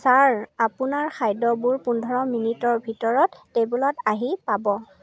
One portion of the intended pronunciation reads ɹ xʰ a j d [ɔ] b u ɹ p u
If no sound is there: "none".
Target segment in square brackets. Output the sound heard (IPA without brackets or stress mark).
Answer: ɔ